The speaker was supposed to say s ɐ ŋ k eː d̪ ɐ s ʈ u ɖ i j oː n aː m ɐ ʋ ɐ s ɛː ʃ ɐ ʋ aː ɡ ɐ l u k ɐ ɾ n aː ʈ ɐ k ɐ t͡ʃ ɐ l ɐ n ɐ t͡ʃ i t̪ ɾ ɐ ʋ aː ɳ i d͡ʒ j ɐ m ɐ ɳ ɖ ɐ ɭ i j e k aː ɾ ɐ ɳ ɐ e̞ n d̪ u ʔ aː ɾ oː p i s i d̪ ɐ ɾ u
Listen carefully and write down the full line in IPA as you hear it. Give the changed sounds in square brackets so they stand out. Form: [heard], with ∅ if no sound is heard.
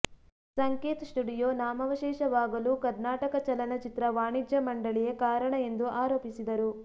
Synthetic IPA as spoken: s ɐ ŋ k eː [t̪] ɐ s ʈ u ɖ i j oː n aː m ɐ ʋ ɐ [ʃ] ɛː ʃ ɐ ʋ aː ɡ ɐ l u k ɐ ɾ n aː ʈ ɐ k ɐ t͡ʃ ɐ l ɐ n ɐ t͡ʃ i t̪ ɾ ɐ ʋ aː ɳ i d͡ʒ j ɐ m ɐ ɳ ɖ ɐ ɭ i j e k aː ɾ ɐ ɳ ɐ e̞ n d̪ u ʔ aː ɾ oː p i s i d̪ ɐ ɾ u